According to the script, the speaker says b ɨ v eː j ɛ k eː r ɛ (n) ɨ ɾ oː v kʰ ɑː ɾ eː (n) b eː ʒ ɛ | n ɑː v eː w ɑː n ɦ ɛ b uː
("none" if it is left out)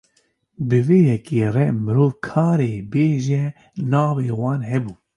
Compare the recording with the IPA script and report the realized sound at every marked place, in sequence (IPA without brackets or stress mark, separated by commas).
m, none